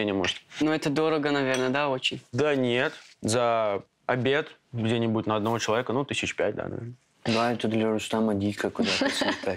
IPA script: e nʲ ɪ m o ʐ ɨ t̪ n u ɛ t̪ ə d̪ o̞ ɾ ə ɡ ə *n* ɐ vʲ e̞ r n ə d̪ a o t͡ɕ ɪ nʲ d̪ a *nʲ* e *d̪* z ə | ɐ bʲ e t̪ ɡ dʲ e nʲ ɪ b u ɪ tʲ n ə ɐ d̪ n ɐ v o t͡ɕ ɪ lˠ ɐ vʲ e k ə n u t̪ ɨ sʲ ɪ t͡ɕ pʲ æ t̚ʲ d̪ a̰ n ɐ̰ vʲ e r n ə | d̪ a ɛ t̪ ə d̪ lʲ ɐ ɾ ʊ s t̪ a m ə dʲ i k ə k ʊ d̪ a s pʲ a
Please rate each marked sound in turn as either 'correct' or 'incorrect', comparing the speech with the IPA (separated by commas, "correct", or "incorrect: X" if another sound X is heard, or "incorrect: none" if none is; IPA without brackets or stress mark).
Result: correct, correct, incorrect: t̪